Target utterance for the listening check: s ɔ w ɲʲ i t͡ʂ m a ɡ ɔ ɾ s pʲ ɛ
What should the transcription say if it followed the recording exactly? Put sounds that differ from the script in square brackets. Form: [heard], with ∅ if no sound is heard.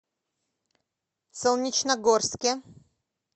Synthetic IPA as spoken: s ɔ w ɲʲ i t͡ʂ [n] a ɡ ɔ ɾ s [kʲ] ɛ